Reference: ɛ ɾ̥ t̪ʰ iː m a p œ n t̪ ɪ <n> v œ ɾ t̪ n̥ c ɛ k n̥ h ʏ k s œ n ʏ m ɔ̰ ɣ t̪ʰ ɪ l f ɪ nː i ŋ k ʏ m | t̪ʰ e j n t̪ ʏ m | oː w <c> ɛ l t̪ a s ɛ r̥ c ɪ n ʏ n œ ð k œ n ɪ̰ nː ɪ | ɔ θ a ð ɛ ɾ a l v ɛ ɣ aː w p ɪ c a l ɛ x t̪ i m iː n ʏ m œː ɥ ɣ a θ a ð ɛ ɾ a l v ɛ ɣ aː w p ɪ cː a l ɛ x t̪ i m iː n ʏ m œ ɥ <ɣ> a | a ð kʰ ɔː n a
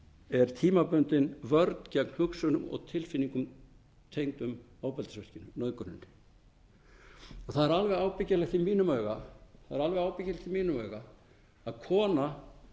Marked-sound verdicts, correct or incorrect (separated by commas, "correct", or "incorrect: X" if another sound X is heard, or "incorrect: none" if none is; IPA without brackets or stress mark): correct, incorrect: p, correct